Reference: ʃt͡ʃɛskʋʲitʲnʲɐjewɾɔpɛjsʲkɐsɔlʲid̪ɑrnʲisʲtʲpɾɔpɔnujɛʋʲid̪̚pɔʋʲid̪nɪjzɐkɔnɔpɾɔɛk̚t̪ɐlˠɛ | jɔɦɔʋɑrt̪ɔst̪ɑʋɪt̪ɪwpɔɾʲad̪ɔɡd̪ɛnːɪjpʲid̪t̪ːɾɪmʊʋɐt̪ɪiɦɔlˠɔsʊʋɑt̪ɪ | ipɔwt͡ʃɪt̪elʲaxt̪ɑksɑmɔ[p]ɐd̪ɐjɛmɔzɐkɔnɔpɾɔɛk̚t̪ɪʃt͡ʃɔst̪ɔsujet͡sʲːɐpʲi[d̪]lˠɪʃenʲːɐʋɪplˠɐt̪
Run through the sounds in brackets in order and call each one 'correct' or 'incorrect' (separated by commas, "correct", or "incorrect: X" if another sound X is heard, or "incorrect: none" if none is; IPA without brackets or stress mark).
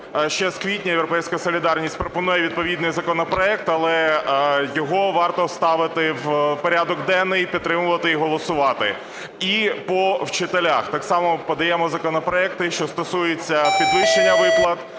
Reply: correct, correct